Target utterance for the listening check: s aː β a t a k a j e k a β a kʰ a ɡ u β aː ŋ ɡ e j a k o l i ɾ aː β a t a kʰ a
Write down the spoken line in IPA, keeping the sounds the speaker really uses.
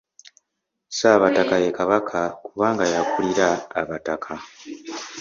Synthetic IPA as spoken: s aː β a t a k a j e k a β a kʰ a k u β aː ŋ ɡ a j a k u l i ɾ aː β a t a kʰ a